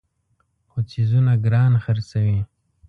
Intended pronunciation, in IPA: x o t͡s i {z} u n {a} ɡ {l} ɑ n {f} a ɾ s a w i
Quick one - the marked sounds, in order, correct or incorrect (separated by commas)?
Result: correct, correct, incorrect, incorrect